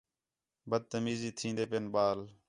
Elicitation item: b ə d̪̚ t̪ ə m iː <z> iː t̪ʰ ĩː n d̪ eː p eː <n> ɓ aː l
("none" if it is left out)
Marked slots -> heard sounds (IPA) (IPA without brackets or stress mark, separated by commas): z, n